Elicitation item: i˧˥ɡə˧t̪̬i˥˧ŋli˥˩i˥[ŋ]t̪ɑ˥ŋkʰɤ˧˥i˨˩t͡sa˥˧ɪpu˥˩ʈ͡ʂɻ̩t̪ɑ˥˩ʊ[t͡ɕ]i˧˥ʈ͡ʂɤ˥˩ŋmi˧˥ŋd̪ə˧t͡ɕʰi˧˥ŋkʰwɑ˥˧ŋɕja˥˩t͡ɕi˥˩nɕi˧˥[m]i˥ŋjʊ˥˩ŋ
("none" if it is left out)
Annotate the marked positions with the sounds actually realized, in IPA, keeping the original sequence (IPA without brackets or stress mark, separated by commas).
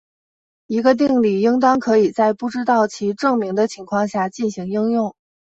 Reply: ŋ, t͡ɕʰ, ŋ